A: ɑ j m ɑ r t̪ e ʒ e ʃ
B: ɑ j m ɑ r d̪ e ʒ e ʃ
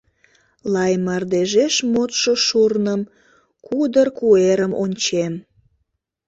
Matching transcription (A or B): B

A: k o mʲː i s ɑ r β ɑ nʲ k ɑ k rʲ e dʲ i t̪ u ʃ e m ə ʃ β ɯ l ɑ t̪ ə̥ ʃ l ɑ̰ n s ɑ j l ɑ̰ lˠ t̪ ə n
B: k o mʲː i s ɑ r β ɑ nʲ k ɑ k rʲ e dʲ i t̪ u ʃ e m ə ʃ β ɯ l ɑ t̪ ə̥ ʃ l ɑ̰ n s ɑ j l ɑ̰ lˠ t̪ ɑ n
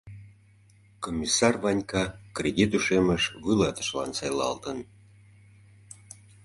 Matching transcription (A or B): A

